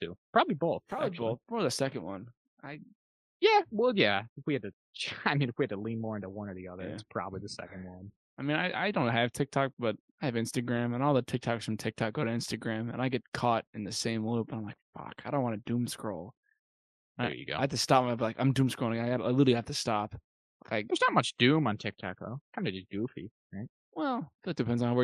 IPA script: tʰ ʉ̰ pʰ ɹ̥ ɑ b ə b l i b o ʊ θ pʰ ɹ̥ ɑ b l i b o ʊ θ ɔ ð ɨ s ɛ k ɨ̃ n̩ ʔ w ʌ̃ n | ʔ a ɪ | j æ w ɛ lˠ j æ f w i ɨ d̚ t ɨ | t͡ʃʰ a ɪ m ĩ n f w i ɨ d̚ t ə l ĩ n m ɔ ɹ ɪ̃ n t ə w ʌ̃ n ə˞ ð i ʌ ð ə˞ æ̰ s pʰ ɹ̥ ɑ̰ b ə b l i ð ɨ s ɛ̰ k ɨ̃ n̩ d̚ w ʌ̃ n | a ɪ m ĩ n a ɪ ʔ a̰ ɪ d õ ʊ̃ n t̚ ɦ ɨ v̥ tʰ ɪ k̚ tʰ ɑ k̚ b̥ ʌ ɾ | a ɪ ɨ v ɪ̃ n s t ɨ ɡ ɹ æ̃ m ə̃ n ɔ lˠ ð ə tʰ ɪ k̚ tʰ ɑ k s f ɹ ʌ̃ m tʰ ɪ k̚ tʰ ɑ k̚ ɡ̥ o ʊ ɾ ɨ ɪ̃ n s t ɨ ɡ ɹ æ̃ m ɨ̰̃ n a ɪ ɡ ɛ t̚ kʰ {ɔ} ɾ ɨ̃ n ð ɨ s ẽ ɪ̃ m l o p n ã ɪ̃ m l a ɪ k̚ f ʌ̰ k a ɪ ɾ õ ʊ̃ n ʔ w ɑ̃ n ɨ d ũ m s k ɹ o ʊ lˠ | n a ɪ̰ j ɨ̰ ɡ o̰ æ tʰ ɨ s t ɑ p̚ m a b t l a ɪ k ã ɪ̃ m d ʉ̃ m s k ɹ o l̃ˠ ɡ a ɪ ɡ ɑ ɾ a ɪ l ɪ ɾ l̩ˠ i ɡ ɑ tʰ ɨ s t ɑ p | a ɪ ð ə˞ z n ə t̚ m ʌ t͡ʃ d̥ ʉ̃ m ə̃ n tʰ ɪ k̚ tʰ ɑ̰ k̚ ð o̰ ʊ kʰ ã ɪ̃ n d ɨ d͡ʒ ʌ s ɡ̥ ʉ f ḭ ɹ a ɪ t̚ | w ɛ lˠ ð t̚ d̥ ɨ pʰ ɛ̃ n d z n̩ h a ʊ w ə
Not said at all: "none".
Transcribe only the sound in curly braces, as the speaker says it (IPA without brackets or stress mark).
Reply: ɔ